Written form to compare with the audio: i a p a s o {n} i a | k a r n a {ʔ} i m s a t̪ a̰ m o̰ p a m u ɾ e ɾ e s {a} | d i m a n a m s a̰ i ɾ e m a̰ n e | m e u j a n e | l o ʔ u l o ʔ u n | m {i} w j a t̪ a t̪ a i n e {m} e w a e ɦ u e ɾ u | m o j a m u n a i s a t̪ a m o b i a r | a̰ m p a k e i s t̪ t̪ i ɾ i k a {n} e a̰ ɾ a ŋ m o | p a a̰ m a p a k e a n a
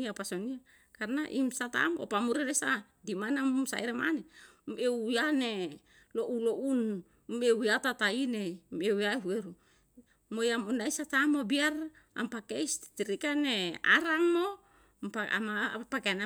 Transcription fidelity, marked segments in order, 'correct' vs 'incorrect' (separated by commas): correct, correct, correct, incorrect, correct, correct